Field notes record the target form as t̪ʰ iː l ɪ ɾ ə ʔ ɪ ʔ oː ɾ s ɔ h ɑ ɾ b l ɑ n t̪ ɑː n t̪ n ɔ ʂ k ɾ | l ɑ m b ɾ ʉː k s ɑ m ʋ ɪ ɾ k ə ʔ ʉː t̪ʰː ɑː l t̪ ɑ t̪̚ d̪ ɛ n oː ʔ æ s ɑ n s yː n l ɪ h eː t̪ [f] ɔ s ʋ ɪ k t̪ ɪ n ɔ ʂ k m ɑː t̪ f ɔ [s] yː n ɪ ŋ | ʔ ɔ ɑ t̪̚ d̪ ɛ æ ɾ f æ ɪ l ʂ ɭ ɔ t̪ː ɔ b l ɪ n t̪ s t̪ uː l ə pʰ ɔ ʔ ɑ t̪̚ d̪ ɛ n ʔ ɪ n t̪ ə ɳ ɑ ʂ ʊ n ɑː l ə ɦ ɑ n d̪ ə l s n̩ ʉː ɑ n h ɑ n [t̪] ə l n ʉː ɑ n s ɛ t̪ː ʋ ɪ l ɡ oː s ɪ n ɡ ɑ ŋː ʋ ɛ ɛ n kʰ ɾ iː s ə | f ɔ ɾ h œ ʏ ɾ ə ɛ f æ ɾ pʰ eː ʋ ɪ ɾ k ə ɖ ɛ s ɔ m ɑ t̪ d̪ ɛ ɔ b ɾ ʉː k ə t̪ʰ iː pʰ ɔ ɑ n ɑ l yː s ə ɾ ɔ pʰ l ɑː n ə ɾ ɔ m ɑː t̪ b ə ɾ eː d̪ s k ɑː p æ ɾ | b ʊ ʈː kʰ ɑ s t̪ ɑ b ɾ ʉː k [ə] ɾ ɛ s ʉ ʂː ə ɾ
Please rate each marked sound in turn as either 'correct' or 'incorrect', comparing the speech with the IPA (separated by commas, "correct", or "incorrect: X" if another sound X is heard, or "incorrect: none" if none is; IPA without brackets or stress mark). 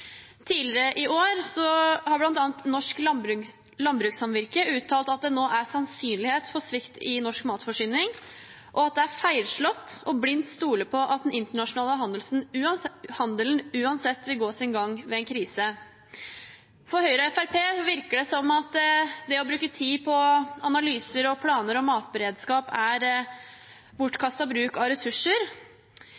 correct, incorrect: ʂ, incorrect: d̪, incorrect: ɑ